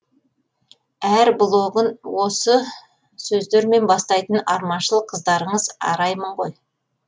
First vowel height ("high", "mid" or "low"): low